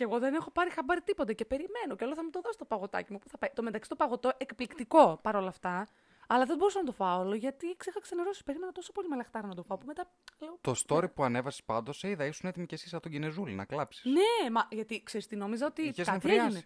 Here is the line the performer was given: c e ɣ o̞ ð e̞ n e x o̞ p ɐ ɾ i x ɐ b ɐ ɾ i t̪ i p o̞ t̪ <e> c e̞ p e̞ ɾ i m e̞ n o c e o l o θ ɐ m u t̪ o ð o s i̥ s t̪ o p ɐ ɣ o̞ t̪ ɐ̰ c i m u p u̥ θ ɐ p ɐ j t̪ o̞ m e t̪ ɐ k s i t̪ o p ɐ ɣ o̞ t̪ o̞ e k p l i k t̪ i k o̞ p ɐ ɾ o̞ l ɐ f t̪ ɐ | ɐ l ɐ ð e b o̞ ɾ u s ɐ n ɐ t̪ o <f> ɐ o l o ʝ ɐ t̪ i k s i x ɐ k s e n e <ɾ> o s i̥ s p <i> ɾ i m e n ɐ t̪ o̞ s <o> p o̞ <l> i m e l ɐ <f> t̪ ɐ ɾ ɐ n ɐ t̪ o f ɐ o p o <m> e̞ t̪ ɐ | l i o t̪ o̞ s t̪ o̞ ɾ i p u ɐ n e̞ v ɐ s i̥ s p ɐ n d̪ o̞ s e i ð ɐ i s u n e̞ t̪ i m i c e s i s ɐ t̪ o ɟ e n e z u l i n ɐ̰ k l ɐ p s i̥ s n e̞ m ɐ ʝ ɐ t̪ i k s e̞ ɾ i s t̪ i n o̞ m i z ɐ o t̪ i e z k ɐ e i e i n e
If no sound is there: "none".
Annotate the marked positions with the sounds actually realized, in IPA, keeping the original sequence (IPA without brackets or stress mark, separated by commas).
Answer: e, f, ɾ, e, o, l, x, m